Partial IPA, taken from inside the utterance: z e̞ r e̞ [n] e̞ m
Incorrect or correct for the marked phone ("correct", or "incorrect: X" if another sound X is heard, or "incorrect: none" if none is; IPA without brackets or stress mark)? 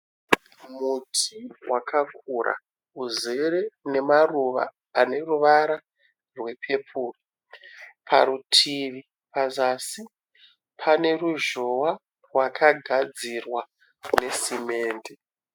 correct